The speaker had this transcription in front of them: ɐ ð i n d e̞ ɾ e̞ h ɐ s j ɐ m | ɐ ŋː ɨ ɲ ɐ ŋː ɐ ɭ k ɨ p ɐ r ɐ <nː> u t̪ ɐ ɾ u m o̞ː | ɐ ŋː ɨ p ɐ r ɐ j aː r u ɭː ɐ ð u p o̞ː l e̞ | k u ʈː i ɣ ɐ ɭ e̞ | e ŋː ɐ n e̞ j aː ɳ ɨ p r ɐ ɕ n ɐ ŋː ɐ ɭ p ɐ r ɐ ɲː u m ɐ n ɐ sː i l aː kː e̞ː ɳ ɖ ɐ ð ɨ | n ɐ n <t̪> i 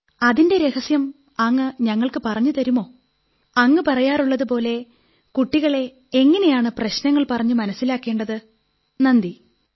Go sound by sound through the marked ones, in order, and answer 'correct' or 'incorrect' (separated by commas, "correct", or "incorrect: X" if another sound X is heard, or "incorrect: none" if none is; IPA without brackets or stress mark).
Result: incorrect: ɲː, incorrect: d̪